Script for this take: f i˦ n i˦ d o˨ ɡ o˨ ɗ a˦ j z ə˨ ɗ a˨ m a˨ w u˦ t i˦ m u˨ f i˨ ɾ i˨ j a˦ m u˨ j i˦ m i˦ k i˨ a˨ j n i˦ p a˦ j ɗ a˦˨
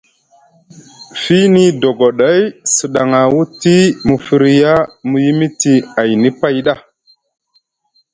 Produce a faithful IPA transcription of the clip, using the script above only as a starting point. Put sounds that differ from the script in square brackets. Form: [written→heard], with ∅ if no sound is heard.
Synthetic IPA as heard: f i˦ n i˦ d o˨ ɡ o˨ ɗ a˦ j [z→s] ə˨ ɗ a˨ [m→ŋ] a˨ w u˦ t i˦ m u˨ f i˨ ɾ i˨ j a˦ m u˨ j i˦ m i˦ [k→t] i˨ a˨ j n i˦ p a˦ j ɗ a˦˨